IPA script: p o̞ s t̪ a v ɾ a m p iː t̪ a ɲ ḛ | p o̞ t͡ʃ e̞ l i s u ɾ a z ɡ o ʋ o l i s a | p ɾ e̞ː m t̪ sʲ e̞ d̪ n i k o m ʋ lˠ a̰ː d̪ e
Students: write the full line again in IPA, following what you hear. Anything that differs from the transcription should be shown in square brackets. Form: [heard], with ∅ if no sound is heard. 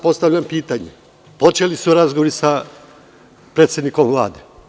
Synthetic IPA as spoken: p o̞ s t̪ a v [ʎ] a m p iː t̪ a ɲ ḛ | p o̞ t͡ʃ e̞ l i s u ɾ a z ɡ o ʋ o [ɾ] i s a | p ɾ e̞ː [∅] t̪ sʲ e̞ d̪ n i k o m ʋ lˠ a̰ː d̪ e